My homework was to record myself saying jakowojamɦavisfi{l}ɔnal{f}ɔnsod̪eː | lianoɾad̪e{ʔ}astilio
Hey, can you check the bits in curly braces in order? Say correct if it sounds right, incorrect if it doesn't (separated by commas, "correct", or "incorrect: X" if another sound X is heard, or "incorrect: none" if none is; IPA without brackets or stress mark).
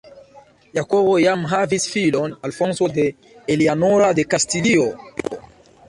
correct, correct, incorrect: k